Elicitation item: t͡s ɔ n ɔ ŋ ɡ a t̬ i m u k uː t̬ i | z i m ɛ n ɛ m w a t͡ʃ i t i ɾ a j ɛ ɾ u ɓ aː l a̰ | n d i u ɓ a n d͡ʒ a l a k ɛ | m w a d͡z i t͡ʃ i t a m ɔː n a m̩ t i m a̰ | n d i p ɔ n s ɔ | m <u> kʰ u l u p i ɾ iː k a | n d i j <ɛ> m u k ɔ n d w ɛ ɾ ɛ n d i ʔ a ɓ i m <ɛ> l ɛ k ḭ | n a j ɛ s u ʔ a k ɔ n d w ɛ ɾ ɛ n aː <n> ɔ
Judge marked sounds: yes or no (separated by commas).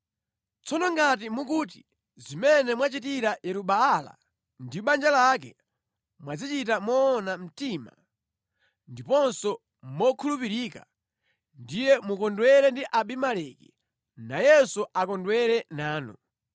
no, yes, no, yes